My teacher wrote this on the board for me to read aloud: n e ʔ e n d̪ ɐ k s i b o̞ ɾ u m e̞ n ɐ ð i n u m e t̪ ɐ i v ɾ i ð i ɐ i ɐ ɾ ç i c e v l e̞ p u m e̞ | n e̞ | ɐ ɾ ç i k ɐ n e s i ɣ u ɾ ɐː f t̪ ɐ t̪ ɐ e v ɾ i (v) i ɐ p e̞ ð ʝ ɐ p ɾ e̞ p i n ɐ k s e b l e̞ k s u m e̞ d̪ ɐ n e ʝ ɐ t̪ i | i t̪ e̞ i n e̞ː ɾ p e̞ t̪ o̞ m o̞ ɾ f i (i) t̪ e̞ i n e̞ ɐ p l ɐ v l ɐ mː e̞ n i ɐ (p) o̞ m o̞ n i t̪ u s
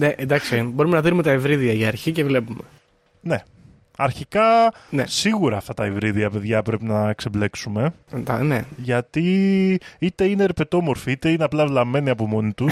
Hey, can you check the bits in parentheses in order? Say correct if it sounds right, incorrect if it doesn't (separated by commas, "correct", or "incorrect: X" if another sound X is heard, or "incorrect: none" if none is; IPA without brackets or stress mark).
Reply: incorrect: ð, correct, correct